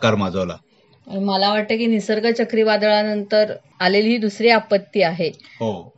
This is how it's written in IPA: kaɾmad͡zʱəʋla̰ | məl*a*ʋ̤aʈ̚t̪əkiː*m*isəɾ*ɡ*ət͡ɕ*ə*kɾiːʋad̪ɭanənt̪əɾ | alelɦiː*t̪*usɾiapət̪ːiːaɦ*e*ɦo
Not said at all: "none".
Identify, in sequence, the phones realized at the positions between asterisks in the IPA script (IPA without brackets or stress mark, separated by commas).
a, n, ɡ, ə, d̪, e